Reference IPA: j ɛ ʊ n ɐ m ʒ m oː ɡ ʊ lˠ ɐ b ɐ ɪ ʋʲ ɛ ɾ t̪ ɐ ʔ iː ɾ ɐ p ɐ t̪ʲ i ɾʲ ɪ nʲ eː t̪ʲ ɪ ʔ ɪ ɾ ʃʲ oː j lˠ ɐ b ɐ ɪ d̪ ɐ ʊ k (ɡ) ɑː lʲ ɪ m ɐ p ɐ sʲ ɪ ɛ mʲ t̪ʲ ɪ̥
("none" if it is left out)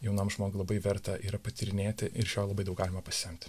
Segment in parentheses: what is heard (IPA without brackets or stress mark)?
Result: ɡ